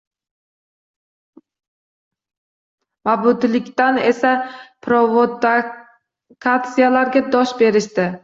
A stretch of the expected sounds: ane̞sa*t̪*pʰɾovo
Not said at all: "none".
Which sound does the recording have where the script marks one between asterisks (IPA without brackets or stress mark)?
none